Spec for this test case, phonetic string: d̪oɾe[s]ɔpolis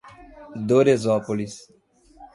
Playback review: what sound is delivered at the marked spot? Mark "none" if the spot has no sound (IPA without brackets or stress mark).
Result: z